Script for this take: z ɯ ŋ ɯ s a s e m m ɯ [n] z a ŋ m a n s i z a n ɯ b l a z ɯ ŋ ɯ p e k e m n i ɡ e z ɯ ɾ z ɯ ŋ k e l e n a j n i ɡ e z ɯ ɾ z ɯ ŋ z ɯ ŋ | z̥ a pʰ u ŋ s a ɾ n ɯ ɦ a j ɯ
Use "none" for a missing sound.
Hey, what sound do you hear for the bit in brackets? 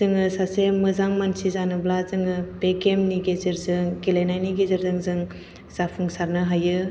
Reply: none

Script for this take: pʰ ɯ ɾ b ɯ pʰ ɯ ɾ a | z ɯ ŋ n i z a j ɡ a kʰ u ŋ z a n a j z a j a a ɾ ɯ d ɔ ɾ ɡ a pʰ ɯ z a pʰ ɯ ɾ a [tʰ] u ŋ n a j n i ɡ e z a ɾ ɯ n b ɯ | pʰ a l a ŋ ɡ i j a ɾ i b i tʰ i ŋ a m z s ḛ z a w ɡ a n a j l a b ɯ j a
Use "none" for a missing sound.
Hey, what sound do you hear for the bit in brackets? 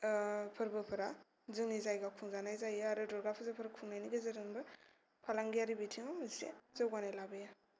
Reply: kʰ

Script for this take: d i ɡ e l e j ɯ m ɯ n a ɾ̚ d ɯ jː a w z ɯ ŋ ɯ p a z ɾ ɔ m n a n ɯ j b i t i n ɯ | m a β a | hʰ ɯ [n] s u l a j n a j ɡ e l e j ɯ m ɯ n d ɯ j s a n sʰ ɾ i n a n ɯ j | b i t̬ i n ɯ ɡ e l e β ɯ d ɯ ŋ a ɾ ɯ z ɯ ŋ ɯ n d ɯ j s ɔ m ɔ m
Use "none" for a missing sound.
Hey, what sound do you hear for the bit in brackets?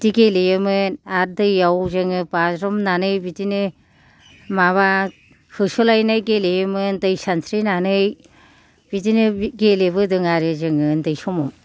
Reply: none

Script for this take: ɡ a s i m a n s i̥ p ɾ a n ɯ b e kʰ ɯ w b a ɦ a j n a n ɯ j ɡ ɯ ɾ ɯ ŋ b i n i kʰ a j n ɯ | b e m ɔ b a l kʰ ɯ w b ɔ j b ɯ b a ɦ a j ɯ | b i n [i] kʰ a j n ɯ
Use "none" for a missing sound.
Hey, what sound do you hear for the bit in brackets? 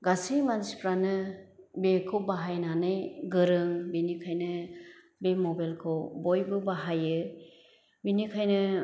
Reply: i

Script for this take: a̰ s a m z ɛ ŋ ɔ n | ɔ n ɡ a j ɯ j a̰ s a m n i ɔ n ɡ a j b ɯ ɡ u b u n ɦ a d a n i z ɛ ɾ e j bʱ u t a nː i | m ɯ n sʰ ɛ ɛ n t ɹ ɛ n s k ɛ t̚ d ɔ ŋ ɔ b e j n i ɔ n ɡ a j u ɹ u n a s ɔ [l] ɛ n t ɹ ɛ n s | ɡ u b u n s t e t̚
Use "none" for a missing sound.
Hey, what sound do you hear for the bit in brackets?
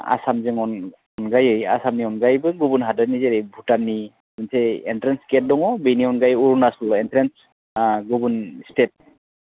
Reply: l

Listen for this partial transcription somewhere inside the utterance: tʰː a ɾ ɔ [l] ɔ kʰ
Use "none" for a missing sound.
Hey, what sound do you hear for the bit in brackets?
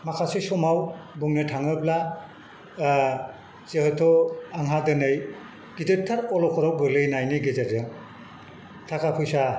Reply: l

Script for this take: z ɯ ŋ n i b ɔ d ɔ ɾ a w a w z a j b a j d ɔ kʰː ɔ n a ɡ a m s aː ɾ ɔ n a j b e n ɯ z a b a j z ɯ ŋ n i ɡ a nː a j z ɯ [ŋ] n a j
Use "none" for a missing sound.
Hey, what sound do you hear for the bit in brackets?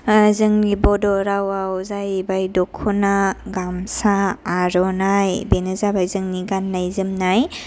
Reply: m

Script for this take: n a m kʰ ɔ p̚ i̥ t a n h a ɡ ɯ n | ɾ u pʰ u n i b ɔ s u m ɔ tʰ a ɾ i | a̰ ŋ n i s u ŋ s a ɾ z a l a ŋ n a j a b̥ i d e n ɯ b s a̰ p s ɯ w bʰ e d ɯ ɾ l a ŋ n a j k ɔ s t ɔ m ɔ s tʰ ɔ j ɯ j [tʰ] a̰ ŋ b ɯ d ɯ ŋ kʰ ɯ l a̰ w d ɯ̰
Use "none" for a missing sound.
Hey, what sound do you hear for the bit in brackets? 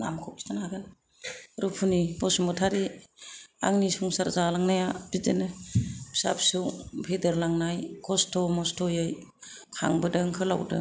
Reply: kʰ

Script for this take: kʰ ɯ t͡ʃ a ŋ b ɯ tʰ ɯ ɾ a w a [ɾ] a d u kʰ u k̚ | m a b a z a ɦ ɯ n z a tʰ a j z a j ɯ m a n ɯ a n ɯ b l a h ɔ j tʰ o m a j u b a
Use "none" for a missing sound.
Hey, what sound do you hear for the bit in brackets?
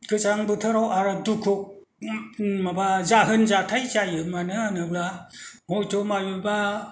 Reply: ɾ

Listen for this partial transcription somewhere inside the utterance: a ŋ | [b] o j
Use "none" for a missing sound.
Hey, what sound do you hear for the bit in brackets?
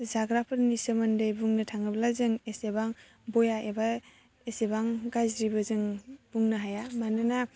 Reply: b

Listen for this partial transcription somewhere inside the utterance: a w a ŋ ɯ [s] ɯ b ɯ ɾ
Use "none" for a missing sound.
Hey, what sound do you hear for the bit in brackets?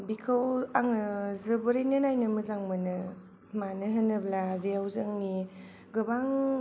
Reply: z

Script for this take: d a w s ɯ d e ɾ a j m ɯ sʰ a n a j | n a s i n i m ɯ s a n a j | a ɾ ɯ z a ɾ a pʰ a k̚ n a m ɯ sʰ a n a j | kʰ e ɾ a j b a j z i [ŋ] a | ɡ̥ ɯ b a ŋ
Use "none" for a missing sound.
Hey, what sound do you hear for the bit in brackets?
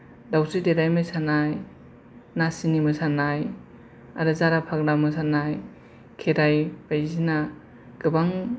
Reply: n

